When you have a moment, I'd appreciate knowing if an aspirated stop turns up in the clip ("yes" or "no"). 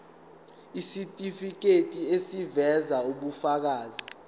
no